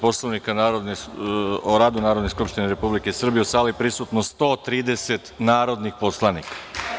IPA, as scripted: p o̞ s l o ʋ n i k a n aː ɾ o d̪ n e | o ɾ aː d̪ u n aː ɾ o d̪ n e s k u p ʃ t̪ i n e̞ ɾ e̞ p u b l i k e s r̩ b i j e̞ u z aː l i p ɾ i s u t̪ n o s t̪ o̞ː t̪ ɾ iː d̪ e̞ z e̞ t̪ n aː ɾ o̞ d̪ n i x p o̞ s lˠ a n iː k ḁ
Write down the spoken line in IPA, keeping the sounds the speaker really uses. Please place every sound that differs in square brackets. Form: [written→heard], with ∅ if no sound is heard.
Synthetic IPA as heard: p o̞ s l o ʋ n i k a n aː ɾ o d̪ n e | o ɾ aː d̪ u n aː ɾ o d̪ n e s k u p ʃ t̪ i n e̞ ɾ e̞ p u b l i k e s r̩ b i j e̞ u [z→s] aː l i p ɾ i s u t̪ n o s t̪ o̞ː t̪ ɾ iː d̪ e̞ [z→s] e̞ t̪ n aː ɾ o̞ d̪ n i x p o̞ s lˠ a n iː k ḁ